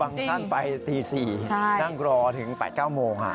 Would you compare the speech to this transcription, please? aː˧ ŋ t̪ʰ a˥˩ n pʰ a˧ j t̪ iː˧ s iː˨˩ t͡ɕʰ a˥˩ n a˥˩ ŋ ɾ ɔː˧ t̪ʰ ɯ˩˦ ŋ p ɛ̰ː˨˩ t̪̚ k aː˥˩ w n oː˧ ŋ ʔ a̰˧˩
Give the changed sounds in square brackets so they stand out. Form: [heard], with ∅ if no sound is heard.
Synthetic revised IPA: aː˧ ŋ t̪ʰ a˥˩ n [p] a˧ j t̪ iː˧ s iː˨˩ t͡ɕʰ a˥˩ n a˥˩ ŋ ɾ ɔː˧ t̪ʰ ɯ˩˦ ŋ p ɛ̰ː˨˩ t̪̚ k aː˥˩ w [m] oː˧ ŋ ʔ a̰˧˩